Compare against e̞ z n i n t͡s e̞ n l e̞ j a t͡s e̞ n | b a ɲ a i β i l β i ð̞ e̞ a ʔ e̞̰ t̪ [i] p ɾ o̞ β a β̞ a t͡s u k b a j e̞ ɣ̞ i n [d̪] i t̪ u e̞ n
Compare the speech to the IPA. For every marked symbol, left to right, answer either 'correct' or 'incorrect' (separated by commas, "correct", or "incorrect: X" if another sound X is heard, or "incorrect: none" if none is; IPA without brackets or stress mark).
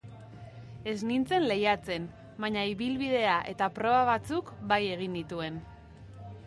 incorrect: a, correct